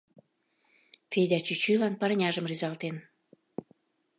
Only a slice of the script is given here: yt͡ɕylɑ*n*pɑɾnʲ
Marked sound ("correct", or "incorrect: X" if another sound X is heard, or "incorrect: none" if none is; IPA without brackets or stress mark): correct